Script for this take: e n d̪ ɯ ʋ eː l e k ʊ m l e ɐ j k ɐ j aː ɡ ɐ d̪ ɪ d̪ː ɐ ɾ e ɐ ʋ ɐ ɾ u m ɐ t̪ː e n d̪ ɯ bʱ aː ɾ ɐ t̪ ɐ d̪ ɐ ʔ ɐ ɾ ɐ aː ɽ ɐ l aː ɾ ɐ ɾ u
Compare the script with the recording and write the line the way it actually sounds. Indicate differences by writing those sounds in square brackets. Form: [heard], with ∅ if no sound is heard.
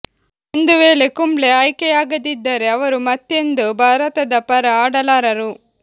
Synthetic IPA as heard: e n d̪ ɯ ʋ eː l e k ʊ m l e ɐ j k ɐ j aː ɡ ɐ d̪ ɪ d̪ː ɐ ɾ e ɐ ʋ ɐ ɾ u m ɐ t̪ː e n d̪ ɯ bʱ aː ɾ ɐ t̪ ɐ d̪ ɐ [p] ɐ ɾ ɐ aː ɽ ɐ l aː ɾ ɐ ɾ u